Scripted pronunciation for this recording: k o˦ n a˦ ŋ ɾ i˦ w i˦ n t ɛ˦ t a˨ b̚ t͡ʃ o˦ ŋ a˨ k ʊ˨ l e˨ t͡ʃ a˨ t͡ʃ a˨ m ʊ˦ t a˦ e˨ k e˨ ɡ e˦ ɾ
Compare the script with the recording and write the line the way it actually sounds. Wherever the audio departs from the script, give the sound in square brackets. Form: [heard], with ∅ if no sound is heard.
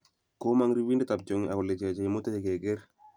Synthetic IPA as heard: k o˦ [m] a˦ ŋ ɾ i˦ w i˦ n [d] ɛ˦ t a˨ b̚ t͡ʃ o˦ ŋ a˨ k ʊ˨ l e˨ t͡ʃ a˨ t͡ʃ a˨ m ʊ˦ t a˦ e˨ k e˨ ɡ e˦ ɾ